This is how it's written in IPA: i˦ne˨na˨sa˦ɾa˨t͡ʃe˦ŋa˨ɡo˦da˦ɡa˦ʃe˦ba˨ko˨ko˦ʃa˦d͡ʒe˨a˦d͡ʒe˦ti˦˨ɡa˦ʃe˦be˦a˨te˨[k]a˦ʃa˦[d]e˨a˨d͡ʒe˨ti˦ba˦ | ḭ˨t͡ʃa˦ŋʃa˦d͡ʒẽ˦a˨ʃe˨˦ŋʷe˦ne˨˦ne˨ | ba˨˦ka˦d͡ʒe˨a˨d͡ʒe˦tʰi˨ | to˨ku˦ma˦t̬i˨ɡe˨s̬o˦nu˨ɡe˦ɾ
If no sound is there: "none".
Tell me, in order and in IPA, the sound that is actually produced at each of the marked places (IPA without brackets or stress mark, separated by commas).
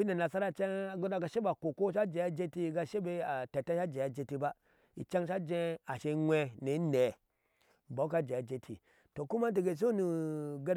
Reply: t, d͡ʒ